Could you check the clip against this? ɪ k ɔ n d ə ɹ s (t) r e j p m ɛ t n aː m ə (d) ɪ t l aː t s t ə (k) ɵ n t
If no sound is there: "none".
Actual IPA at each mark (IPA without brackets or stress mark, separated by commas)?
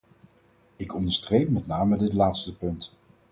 t, d, p